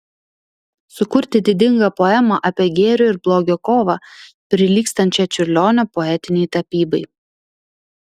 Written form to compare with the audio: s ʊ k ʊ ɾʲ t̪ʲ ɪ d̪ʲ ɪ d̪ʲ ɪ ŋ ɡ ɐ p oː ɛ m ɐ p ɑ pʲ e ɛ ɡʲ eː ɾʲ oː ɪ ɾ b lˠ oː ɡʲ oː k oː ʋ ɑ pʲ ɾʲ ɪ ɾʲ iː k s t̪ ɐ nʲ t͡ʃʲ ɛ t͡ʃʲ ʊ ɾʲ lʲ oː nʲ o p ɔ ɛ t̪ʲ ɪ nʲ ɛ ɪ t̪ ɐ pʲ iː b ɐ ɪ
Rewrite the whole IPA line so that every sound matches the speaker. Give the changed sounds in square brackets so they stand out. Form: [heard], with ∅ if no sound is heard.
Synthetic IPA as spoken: s ʊ k ʊ ɾʲ t̪ʲ ɪ d̪ʲ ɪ d̪ʲ ɪ ŋ ɡ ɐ p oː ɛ m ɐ [ʔ] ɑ pʲ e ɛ ɡʲ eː ɾʲ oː ɪ ɾ b lˠ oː ɡʲ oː k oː ʋ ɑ pʲ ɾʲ ɪ [lʲ] iː k s t̪ ɐ nʲ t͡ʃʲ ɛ t͡ʃʲ ʊ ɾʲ lʲ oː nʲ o p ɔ ɛ t̪ʲ ɪ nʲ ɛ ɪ t̪ ɐ pʲ iː b ɐ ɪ